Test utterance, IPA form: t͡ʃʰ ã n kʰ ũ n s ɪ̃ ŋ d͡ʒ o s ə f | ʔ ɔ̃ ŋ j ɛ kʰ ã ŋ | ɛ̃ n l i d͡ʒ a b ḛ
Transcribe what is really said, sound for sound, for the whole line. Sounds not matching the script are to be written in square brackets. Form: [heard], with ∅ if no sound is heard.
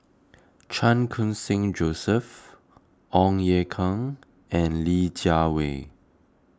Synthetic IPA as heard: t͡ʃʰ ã n kʰ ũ n s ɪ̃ ŋ d͡ʒ o s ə f | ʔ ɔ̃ ŋ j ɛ kʰ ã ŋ | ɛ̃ n l i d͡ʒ a [w] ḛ